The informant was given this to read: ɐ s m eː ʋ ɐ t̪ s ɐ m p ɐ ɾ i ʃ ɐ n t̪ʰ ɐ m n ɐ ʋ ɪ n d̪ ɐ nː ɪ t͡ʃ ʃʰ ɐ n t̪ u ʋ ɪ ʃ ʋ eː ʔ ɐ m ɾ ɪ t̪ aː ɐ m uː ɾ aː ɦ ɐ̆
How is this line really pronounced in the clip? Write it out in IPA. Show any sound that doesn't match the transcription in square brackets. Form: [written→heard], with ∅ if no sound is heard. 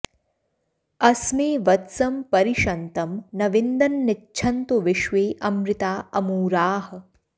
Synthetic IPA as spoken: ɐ s m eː ʋ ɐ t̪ s ɐ m p ɐ ɾ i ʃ ɐ n [t̪ʰ→t̪] ɐ m n ɐ ʋ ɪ n d̪ ɐ nː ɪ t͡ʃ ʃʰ ɐ n t̪ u ʋ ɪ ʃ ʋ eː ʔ ɐ m ɾ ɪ t̪ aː ɐ m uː ɾ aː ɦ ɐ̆

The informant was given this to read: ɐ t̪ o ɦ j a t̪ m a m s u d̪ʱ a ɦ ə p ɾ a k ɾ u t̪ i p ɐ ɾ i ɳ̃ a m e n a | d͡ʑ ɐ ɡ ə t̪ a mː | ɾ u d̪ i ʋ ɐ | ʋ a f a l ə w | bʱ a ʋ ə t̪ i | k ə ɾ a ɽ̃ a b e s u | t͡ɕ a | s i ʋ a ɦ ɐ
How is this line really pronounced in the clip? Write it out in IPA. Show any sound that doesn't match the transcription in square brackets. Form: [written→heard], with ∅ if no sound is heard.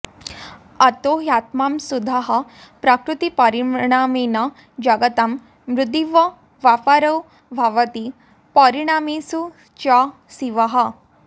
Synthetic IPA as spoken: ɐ t̪ o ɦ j a t̪ m a m s u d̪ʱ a ɦ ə p ɾ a k ɾ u t̪ i p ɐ ɾ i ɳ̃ a m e n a | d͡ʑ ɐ ɡ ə t̪ a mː | ɾ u d̪ i ʋ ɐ | ʋ a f a [l→ɾ] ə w | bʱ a ʋ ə t̪ i | [k→p] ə ɾ [a→i] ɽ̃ a [b→m] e s u | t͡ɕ a | s i ʋ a ɦ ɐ

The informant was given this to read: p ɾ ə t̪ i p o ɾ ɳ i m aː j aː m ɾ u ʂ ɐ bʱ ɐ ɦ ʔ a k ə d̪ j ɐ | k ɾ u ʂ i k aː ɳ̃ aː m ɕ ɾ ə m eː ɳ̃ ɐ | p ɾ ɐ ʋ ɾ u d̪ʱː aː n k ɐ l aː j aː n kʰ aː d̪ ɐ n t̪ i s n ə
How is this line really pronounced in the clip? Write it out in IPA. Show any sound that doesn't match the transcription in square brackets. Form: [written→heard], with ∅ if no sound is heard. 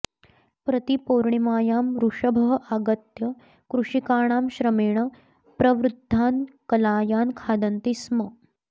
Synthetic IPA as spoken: p ɾ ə t̪ i p o ɾ ɳ i m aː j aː m ɾ u ʂ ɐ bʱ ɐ ɦ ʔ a [k→ɡ] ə [d̪→t̪] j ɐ | k ɾ u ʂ i k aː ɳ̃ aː m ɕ ɾ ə m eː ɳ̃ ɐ | p ɾ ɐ ʋ ɾ u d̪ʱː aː n k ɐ l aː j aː n kʰ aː d̪ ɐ n t̪ i s [n→m] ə

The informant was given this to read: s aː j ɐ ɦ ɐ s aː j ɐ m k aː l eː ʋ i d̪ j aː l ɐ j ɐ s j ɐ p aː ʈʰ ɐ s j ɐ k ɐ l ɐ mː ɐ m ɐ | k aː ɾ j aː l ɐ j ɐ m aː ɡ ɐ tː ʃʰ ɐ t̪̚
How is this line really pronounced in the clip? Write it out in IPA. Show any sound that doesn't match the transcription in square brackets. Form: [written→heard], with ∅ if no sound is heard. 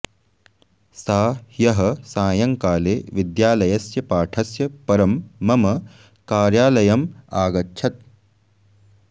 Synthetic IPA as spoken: s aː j ɐ ɦ ɐ s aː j ɐ [m→ŋ] k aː l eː ʋ i d̪ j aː l ɐ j ɐ s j ɐ p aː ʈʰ ɐ s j ɐ [k→p] ɐ [l→ɾ] ɐ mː ɐ m ɐ | k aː ɾ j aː l ɐ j ɐ m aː ɡ ɐ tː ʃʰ ɐ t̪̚

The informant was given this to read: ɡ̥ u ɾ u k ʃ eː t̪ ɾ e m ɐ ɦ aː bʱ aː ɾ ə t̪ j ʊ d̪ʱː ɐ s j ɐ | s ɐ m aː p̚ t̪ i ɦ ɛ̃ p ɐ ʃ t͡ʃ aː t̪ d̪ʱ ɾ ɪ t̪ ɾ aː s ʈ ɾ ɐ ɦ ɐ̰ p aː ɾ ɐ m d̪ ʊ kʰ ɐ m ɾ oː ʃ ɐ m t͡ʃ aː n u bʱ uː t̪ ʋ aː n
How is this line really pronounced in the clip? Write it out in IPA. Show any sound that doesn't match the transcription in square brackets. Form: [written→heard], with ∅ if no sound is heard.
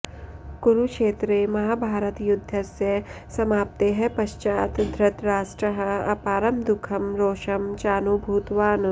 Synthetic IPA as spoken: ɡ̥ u ɾ u k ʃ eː t̪ ɾ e m ɐ ɦ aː bʱ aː ɾ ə t̪ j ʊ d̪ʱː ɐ s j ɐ | s ɐ m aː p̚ t̪ [i→e] ɦ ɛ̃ p ɐ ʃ t͡ʃ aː t̪ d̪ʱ ɾ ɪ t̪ ɾ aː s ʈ ɾ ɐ ɦ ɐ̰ p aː ɾ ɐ m d̪ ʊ kʰ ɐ m ɾ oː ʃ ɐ m t͡ʃ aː n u bʱ uː t̪ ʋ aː n

